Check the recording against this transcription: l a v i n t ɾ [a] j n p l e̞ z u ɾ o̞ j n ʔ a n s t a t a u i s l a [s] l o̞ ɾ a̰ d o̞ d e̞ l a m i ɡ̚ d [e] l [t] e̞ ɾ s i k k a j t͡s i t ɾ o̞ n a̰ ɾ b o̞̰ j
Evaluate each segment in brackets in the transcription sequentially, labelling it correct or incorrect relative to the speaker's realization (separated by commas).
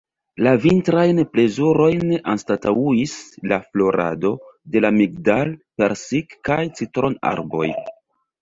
correct, incorrect, incorrect, incorrect